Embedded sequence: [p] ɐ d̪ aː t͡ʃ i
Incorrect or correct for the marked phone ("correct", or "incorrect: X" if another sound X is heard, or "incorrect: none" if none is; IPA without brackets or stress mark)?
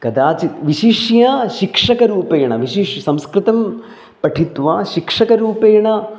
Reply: incorrect: k